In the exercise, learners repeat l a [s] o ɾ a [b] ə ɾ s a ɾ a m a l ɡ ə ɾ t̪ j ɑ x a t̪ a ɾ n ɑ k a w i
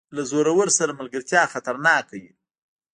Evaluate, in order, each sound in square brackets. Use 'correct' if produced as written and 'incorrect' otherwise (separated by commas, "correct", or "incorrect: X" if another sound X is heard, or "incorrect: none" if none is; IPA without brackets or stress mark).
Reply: incorrect: z, incorrect: w